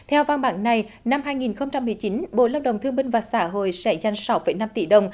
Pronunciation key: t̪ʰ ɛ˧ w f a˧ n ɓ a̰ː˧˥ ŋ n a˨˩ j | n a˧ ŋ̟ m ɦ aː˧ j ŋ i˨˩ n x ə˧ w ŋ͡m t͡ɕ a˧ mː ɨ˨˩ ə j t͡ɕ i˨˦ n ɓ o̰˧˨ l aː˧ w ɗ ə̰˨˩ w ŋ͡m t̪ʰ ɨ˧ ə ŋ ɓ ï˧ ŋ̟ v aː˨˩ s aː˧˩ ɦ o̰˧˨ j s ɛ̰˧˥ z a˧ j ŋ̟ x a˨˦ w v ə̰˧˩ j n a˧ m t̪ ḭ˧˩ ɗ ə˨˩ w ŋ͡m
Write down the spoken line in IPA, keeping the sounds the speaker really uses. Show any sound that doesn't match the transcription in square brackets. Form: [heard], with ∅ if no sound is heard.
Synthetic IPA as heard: t̪ʰ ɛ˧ w [v] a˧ n ɓ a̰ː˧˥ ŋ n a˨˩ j | n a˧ [∅] m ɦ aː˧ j ŋ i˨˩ n x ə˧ w ŋ͡m t͡ɕ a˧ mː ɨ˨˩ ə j t͡ɕ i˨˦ n ɓ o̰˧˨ l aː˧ w ɗ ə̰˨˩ w ŋ͡m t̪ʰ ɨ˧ ə ŋ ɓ ï˧ ŋ̟ v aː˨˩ s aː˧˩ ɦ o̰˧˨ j s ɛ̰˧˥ z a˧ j ŋ̟ [s] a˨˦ w [f] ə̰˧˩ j n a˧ m t̪ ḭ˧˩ ɗ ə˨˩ w ŋ͡m